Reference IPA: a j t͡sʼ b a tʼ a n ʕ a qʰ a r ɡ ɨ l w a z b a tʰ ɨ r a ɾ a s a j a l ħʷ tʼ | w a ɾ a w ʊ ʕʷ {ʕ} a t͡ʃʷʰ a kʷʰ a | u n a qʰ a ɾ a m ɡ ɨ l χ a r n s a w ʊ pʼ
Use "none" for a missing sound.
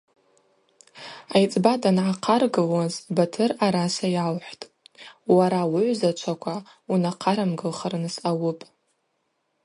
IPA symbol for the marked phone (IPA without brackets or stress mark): z